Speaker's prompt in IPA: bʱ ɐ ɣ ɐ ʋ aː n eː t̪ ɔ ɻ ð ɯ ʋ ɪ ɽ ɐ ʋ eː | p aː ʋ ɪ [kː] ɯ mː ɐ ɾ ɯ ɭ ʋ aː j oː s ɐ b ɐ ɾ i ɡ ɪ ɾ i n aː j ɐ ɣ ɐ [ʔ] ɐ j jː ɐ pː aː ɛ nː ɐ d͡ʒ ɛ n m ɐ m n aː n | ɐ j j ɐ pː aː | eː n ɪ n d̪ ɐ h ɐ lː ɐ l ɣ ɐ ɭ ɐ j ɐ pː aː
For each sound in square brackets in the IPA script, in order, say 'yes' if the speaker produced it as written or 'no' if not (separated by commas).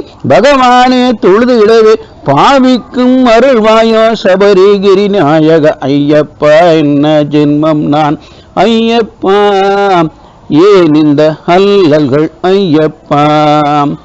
yes, yes